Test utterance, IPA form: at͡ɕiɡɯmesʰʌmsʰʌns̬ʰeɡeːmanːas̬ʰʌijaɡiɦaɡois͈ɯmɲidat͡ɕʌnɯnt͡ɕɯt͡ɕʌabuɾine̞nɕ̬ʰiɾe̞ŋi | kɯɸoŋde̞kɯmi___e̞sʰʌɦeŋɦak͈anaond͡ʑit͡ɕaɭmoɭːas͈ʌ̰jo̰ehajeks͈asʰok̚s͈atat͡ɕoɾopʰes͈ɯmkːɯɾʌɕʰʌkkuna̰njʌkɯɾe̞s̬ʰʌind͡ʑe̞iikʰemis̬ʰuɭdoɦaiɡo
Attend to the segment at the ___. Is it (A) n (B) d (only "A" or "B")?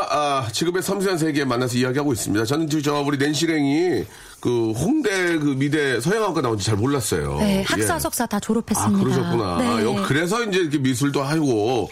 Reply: B